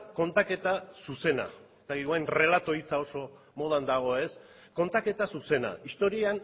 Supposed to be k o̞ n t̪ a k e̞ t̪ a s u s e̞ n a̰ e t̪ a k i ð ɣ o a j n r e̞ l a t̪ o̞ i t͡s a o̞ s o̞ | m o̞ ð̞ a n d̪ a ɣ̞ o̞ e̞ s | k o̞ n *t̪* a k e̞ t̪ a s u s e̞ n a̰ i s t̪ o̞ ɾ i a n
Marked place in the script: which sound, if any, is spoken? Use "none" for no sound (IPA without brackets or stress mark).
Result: t̪